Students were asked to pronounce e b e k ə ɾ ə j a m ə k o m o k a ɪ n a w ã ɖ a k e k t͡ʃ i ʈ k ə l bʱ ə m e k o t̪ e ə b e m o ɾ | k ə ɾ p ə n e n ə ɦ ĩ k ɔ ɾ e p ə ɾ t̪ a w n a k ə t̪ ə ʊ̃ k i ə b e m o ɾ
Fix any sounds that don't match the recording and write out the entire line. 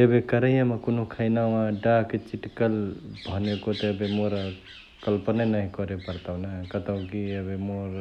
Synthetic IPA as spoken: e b e k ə ɾ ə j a m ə k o n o kʰ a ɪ n a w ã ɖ a k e t͡ʃ i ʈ k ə l bʱ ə n e k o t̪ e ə b e m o ɾ | k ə l p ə n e n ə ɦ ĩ k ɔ ɾ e p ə ɾ t̪ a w n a k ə t̪ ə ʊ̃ k i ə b e m o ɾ